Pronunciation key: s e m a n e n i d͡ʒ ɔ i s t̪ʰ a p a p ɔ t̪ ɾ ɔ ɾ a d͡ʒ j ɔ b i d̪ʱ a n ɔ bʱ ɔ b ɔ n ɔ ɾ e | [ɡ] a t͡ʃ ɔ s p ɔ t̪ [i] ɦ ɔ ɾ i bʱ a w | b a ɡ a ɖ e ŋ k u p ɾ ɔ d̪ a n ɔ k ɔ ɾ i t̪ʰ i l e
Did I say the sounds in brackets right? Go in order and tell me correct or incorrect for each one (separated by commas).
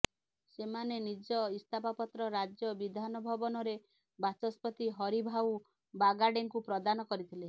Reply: incorrect, correct